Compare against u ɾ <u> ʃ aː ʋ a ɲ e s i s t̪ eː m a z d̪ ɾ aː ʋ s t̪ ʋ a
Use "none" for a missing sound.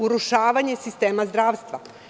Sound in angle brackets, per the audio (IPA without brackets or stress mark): u